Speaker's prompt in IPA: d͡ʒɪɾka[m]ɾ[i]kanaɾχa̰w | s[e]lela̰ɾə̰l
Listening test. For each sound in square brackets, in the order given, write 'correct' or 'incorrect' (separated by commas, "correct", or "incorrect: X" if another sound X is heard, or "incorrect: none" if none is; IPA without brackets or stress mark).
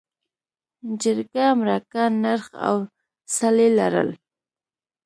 correct, incorrect: a, incorrect: a